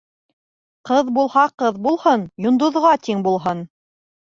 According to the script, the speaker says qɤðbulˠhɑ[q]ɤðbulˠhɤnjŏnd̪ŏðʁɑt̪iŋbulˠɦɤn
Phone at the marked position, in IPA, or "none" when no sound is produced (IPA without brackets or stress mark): q